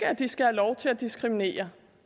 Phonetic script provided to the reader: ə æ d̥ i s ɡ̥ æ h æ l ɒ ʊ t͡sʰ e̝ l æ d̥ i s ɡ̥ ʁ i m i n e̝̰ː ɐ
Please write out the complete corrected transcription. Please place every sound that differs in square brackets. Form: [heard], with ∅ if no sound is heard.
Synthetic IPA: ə æ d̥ i s ɡ̥ æ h æ l ɒ ʊ t͡sʰ e̝ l æ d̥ i s ɡ̥ ʁ i m i n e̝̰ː ɐ